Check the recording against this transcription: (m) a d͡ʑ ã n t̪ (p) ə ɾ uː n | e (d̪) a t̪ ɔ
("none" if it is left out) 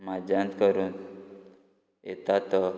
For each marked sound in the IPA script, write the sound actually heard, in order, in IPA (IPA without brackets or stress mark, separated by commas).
m, k, t̪